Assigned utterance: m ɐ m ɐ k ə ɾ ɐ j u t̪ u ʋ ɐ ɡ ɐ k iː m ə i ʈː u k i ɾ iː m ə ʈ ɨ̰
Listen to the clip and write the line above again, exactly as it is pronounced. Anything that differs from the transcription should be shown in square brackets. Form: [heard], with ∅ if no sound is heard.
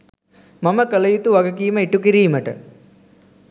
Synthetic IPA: m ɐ m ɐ k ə [l] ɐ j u t̪ u ʋ ɐ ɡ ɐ k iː m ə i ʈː u k i ɾ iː m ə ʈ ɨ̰